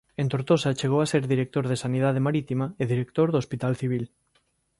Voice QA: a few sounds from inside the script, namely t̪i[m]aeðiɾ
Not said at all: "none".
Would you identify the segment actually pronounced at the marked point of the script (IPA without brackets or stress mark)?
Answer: m